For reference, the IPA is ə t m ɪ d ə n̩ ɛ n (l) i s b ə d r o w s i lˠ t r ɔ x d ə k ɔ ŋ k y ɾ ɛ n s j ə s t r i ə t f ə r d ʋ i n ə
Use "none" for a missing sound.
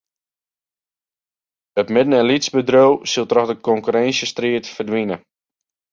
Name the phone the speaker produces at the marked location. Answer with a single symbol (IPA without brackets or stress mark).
l